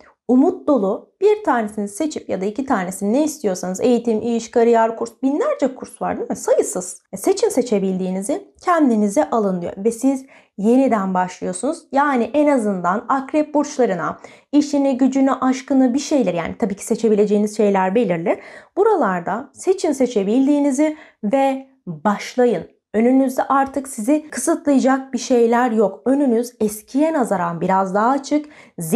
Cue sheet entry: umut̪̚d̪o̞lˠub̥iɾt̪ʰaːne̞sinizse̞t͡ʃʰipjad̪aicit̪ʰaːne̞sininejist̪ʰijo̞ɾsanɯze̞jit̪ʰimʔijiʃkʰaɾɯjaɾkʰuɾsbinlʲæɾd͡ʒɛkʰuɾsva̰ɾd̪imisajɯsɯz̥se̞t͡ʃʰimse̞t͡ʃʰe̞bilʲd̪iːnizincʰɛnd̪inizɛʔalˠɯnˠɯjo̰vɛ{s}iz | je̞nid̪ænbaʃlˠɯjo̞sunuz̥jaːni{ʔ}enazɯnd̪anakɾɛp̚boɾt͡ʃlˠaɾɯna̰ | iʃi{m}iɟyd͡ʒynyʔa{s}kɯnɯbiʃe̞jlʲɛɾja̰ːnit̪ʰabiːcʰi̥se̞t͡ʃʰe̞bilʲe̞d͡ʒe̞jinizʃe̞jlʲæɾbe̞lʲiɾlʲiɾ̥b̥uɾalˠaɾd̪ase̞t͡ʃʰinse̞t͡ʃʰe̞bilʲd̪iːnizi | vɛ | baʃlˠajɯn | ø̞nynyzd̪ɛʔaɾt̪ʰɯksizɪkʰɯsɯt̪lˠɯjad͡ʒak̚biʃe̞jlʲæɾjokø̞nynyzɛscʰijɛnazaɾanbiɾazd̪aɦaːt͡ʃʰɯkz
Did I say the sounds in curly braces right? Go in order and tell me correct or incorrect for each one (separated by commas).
correct, correct, incorrect, incorrect